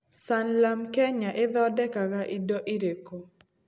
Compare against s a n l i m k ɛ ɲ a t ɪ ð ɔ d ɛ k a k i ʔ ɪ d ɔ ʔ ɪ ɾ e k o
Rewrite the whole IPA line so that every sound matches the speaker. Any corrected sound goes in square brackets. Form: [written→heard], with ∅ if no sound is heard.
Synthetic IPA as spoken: s a n l [i→a] m k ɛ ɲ a [t→ʔ] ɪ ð ɔ d ɛ k a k [i→a] ʔ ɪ d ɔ ʔ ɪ ɾ e k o